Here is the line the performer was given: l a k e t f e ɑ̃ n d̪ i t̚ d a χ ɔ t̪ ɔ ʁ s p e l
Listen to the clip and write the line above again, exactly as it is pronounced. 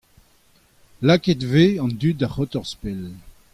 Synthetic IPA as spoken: l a k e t v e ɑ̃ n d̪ y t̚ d a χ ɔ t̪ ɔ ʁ s p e l

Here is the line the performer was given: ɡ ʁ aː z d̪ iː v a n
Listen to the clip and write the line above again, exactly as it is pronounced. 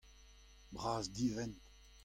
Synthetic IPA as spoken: b ʁ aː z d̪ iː v ɛ n

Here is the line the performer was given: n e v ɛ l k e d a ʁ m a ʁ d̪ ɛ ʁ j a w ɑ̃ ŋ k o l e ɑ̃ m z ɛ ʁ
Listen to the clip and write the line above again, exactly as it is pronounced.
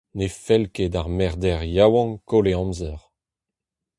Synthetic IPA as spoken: n e f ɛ l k e d a ʁ m ɛ ʁ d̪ ɛ ʁ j a w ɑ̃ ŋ k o l e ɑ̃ m z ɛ ʁ

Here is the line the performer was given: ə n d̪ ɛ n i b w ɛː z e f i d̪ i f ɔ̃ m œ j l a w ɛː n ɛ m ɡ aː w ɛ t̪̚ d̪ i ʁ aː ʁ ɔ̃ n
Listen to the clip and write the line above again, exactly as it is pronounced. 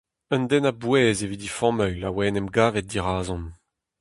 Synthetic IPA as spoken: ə n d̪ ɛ n a b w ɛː z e v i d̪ i f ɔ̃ m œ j l a w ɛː n ɛ m ɡ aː v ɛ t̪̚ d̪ i ʁ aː z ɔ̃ n

